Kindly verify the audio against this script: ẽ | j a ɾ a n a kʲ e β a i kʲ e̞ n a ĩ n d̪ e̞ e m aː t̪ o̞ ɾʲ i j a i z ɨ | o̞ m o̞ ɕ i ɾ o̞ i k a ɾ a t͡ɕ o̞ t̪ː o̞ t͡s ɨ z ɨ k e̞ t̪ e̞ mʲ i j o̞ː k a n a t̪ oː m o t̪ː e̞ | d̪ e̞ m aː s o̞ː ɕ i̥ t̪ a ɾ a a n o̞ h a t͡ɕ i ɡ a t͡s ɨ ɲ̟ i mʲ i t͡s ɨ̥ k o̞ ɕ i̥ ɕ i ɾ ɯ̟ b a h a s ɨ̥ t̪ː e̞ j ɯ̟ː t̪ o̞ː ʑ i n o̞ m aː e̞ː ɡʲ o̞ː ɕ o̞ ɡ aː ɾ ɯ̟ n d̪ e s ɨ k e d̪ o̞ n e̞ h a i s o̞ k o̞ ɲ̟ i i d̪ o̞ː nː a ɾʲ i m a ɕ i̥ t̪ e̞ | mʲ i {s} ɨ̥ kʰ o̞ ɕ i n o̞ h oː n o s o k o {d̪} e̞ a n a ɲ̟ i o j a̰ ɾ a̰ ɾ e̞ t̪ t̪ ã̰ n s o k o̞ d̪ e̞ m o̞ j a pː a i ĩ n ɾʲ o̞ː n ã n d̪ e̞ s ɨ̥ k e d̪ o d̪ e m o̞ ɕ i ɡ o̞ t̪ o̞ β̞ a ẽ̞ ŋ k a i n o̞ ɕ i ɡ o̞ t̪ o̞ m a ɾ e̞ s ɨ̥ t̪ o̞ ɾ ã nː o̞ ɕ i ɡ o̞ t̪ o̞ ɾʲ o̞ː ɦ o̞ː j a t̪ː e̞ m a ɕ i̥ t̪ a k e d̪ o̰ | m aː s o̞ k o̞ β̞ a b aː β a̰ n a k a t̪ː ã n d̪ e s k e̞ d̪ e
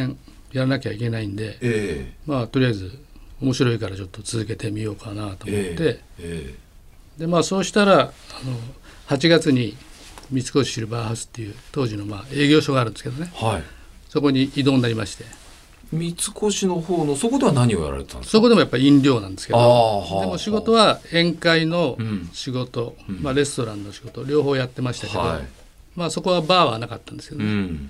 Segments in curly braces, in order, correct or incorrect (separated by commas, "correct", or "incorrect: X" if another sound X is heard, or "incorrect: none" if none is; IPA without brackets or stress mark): incorrect: t͡s, correct